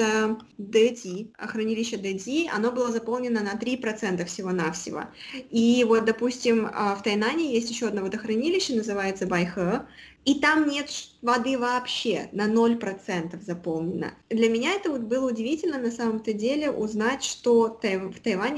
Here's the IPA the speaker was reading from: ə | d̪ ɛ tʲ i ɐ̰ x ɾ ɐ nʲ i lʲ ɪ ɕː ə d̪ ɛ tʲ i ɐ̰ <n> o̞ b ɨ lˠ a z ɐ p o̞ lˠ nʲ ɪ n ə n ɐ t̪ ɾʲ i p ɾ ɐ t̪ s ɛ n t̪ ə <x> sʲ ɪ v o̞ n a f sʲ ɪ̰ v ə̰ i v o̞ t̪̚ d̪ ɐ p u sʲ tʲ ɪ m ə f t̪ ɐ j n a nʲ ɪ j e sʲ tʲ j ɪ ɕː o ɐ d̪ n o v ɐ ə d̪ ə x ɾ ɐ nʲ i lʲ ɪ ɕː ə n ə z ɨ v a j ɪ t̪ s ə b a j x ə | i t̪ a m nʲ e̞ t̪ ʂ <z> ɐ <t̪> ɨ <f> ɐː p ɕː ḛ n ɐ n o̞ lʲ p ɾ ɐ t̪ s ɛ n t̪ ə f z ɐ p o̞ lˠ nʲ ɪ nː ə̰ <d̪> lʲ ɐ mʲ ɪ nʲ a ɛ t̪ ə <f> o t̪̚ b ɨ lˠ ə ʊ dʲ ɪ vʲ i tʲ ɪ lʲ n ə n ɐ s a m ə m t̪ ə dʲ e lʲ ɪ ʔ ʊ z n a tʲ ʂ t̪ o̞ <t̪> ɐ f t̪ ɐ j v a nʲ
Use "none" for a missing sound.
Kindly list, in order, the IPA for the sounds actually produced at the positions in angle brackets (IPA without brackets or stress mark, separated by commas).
n, f, v, d̪, v, d̪, v, t̪